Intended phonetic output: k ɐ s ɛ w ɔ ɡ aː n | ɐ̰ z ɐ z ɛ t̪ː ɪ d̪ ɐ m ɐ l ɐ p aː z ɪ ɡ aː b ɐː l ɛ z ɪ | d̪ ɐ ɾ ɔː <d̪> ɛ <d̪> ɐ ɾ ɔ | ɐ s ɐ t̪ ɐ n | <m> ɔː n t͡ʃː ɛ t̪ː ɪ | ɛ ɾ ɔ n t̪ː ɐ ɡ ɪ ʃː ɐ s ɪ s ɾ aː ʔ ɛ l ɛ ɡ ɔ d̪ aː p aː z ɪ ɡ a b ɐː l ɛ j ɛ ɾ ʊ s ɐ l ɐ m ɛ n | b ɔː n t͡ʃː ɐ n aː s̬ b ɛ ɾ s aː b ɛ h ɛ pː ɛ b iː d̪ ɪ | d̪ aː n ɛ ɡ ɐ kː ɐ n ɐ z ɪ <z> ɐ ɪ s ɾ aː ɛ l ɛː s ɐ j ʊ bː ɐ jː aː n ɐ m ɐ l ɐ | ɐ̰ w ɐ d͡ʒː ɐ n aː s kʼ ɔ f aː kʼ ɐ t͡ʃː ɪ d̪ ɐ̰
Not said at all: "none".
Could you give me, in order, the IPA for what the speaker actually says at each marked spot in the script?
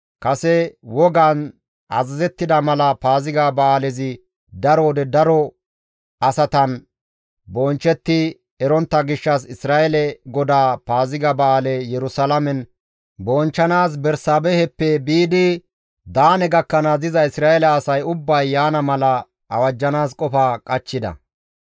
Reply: d̪, d̪, b, z

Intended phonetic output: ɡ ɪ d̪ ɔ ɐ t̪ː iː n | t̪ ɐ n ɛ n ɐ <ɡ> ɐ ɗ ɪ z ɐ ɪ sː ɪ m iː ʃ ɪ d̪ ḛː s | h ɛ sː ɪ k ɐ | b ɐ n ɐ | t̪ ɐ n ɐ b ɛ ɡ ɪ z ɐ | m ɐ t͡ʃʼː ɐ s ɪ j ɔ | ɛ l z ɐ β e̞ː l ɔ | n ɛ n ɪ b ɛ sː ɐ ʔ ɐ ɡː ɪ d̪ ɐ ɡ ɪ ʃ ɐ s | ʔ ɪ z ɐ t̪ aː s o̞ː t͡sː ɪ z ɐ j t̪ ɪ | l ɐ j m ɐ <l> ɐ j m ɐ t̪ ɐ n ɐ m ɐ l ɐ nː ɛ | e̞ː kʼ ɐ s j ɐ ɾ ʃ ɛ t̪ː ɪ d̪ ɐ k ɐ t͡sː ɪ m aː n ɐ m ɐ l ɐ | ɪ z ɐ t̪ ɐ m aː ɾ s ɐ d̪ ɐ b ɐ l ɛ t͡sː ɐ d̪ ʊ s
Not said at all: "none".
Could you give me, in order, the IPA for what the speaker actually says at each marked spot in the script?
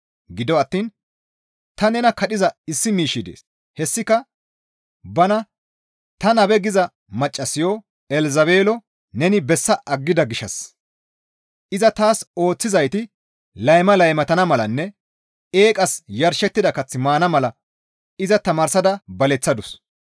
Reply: k, l

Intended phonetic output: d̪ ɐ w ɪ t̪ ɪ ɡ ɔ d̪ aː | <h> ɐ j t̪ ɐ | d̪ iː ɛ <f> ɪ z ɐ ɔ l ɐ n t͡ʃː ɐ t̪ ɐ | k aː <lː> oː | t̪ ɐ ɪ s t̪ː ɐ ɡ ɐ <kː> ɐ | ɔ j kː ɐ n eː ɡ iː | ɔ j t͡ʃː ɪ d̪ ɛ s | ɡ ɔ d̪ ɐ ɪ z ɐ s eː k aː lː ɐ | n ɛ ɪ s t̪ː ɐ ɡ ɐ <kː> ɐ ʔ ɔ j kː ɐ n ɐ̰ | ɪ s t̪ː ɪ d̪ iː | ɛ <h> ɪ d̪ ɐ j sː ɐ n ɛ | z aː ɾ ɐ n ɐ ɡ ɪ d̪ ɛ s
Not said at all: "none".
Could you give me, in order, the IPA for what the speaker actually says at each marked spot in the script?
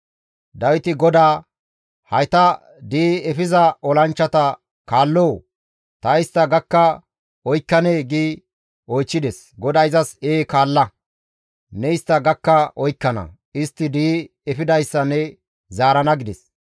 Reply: h, f, lː, kː, kː, f

